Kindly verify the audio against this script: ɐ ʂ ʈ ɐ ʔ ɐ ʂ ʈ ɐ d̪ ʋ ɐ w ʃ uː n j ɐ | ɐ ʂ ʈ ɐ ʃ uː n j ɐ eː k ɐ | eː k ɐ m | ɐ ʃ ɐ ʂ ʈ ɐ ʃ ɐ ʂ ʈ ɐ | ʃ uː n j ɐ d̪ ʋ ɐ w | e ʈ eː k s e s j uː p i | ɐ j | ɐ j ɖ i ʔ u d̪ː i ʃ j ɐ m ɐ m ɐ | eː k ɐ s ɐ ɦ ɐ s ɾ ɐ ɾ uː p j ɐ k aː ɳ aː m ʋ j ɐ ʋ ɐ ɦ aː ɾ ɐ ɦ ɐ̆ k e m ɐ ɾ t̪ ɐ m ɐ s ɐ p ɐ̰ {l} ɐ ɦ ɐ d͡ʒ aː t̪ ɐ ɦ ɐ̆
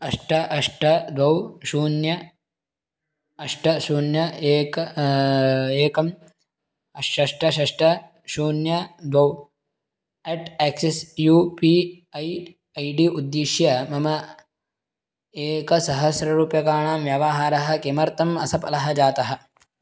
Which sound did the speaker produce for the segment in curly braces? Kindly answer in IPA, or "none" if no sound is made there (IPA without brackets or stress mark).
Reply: l